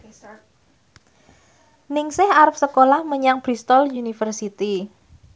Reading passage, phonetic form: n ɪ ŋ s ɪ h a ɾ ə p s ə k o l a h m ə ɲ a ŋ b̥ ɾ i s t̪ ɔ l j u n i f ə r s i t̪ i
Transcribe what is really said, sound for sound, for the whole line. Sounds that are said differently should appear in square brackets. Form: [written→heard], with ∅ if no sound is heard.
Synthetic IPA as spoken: n ɪ ŋ s ɪ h a ɾ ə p s ə k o l a h m ə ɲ a ŋ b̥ ɾ i s t̪ ɔ l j u n i f ə r s i t̪ i